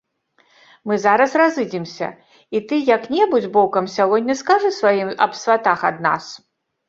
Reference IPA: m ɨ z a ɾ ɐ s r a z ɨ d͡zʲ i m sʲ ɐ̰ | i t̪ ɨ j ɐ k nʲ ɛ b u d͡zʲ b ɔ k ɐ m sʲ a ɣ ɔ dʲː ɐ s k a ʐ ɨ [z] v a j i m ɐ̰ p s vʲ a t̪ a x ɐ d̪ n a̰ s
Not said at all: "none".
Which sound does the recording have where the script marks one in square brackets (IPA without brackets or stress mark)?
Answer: s